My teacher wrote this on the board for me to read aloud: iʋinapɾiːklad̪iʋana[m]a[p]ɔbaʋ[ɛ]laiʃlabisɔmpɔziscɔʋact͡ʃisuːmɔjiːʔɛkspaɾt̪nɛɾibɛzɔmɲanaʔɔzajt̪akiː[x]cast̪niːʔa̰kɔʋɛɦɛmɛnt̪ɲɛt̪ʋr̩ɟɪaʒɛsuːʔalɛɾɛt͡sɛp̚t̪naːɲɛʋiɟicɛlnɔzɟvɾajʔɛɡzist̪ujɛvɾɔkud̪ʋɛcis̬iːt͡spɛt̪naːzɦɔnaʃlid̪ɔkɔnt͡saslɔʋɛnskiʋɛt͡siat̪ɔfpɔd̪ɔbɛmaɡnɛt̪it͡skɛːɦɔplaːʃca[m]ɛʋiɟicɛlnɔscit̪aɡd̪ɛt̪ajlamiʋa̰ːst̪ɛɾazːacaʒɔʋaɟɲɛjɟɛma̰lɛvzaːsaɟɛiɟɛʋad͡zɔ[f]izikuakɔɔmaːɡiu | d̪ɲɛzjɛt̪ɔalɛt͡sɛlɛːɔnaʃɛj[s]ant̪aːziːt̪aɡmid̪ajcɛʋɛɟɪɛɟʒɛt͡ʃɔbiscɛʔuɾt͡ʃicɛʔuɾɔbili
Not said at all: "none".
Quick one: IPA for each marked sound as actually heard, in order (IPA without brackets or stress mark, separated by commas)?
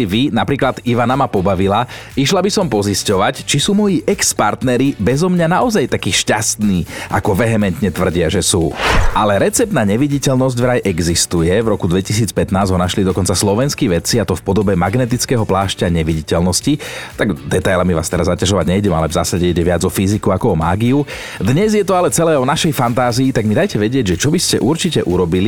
m, p, i, ʃ, ɲ, f, f